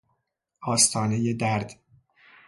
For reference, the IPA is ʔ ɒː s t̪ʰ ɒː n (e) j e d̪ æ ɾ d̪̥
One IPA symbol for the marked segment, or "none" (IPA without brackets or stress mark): e